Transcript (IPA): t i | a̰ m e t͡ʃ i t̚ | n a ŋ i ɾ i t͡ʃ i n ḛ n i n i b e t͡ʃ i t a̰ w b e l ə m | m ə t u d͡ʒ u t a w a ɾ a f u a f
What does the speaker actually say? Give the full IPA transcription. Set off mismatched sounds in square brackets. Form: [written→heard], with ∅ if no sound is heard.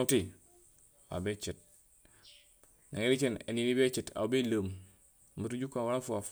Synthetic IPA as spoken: t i | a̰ [m→b] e t͡ʃ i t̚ | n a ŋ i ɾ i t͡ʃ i n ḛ n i n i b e t͡ʃ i t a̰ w b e l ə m | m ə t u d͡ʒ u [t→k] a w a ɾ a f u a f

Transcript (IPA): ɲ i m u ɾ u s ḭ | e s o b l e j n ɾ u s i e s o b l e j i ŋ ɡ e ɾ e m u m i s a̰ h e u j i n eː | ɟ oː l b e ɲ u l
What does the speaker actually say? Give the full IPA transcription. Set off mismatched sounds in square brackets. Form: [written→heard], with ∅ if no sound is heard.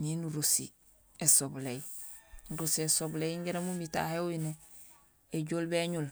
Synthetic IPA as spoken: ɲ i [m→n] u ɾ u s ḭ | e s o b l e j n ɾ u s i e s o b l e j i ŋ ɡ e ɾ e m u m i [s→t] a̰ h e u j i n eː | ɟ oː l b e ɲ u l

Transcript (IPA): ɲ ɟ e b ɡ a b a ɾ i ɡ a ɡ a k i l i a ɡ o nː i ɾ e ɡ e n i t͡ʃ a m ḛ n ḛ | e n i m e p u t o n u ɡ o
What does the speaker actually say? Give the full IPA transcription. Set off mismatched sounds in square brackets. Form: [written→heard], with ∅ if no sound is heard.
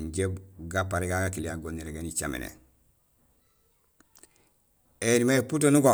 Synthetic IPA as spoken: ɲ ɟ e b ɡ a [b→p] a ɾ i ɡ a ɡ a k i l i a ɡ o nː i ɾ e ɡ e n i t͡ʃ a m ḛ n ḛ | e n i m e p u t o n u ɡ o

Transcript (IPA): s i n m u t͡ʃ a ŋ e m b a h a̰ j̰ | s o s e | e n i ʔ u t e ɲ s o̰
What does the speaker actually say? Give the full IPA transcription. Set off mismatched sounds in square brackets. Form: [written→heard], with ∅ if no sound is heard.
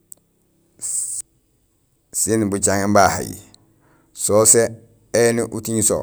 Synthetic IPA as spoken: s i n [m→b] u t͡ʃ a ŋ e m b a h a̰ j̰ | s o s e | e n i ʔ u t [e→i] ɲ s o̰

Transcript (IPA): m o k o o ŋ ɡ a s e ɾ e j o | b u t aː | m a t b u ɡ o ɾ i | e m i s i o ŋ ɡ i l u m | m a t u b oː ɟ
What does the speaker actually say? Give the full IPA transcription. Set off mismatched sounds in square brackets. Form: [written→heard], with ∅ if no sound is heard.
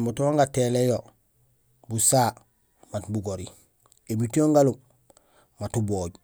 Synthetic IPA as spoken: m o [k→t] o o ŋ ɡ a [s→t] e [ɾ→l] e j o | b u [t→s] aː | m a t b u ɡ o ɾ i | e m i [s→t] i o ŋ ɡ [i→a] l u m | m a t u b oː ɟ

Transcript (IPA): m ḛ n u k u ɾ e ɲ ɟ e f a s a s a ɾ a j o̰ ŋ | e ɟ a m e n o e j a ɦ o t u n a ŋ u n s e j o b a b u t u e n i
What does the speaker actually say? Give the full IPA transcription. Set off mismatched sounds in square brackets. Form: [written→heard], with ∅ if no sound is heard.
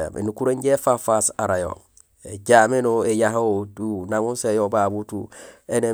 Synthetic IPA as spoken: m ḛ n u k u ɾ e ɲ ɟ e f a [s→f] a s a ɾ a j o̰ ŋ | e ɟ a m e n o e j a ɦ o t u n a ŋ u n s e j o b a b u t u e n [i→e]

